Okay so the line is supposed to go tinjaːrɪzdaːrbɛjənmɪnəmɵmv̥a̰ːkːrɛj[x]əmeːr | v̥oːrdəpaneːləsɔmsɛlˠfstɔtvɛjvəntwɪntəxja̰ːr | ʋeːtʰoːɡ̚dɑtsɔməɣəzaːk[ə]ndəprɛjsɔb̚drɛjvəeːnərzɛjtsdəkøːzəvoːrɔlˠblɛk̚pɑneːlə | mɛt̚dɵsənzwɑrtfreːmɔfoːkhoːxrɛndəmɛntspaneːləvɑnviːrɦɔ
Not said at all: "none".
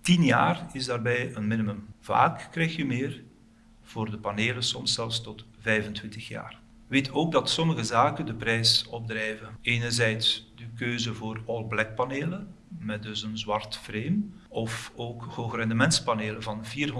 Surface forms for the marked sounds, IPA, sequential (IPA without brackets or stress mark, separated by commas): x, ə